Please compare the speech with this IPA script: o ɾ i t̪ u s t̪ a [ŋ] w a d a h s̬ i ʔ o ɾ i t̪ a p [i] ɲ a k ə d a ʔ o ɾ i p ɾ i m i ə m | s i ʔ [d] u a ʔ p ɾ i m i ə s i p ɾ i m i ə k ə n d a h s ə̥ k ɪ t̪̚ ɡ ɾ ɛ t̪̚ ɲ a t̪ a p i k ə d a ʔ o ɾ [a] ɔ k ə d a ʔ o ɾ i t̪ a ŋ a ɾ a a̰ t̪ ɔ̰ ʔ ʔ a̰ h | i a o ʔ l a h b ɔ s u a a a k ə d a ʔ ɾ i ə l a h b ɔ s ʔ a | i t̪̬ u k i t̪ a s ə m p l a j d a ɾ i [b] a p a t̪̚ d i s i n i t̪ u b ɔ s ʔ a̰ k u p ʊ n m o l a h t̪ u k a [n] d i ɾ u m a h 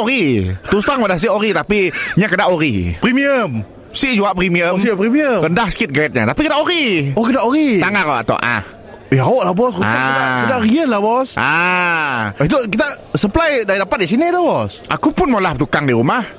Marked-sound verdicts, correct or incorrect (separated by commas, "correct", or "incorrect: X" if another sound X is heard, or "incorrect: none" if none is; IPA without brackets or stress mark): correct, correct, incorrect: d͡ʒ, incorrect: i, incorrect: d, incorrect: ŋ